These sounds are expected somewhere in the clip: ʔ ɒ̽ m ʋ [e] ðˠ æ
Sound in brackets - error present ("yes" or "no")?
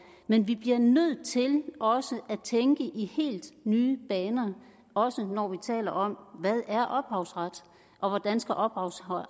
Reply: yes